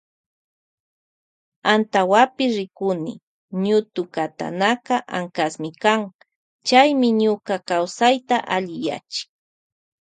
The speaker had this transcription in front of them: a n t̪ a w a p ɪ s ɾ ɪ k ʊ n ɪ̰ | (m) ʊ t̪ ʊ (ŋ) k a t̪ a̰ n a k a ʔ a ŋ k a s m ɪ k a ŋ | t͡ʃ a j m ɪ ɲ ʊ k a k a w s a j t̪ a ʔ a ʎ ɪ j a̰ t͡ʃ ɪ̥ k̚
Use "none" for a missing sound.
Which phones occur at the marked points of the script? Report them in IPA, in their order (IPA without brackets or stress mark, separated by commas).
ɲ, none